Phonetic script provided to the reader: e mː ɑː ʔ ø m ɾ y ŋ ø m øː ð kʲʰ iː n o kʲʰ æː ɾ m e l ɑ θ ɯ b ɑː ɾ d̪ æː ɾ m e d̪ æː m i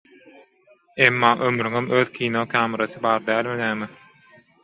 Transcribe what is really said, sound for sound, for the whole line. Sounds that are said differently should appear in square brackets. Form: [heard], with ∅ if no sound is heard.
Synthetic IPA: e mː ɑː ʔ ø m ɾ y ŋ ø m øː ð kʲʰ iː n o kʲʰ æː [∅] m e [ɾ] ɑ θ ɯ b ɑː ɾ d̪ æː [l] m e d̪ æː m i

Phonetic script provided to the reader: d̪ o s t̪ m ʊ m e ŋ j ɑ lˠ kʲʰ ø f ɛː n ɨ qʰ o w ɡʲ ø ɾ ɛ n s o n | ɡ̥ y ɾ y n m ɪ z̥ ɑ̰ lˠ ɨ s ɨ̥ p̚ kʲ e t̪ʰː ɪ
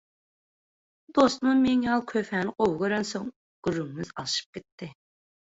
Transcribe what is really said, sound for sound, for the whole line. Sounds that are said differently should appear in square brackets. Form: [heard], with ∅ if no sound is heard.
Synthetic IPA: d̪ o s t̪ m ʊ m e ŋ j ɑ lˠ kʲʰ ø f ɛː n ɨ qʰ o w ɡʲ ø ɾ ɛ n s o [ŋ] | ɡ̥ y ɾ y [ŋ] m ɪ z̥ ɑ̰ lˠ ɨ [ʃ] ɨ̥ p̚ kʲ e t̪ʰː ɪ

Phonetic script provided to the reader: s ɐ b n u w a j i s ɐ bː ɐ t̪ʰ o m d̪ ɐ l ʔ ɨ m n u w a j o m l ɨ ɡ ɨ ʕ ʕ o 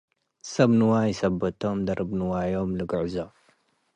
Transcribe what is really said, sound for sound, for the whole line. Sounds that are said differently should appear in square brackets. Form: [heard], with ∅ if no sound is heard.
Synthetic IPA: s ɐ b n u w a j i s ɐ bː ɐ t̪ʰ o m d̪ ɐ [ɾ] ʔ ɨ [b] n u w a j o m l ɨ ɡ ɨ ʕ [z] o

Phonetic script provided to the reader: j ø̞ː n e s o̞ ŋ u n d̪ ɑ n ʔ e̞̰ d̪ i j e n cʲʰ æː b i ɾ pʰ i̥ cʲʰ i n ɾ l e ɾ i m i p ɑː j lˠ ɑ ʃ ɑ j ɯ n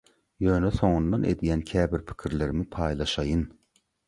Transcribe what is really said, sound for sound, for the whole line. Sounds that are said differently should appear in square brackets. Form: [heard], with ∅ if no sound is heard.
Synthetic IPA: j ø̞ː n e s o̞ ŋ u n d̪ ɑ n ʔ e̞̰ d̪ i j [æ] n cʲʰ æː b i ɾ pʰ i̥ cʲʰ i [∅] ɾ l e ɾ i m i [pʰ] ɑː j lˠ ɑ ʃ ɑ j ɯ n

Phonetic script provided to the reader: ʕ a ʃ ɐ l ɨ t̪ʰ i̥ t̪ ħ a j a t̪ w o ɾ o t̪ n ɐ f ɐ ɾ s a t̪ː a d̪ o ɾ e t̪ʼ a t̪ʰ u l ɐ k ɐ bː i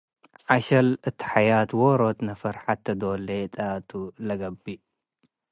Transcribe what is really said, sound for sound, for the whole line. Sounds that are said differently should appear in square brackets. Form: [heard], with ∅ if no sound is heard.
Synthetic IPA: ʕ a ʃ ɐ l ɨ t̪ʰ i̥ [∅] ħ a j a t̪ w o ɾ o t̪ n ɐ f ɐ ɾ [ħ] a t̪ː [ɐ] d̪ o [l] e t̪ʼ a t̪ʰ u l ɐ [ɡ] ɐ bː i

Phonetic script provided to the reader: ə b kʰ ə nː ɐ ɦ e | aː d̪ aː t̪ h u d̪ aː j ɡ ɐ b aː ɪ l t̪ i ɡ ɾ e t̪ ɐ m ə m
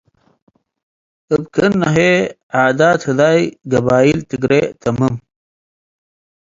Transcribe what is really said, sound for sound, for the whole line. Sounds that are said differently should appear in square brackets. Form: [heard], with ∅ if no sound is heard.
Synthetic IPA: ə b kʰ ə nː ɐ ɦ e | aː d̪ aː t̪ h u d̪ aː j ɡ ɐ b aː [i] l t̪ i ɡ ɾ e t̪ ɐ m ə m

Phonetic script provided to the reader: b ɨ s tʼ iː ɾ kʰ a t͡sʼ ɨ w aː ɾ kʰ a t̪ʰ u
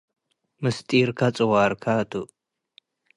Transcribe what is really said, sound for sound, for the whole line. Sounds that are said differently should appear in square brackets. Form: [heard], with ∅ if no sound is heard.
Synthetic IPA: [m] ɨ s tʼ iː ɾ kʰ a t͡sʼ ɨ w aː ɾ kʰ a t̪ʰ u

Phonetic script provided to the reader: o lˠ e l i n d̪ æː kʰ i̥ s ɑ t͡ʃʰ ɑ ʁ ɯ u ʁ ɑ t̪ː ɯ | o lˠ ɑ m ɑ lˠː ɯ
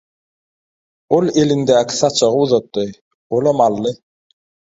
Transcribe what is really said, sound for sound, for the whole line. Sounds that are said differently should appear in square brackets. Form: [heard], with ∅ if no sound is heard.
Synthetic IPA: o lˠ e l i n d̪ æː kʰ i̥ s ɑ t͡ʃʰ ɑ ʁ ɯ u [ð] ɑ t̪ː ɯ | o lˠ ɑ m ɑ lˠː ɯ

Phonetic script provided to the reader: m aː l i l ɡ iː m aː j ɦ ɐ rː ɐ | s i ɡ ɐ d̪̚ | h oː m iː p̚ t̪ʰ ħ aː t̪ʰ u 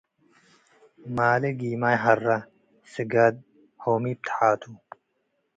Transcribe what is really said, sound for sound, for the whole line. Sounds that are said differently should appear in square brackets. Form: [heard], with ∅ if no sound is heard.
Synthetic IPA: m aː l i [∅] ɡ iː m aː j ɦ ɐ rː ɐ | s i ɡ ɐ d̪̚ | h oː m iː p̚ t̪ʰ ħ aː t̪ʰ u

